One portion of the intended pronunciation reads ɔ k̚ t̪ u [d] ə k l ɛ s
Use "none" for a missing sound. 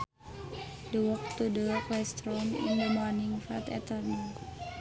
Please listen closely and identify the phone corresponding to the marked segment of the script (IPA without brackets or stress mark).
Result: d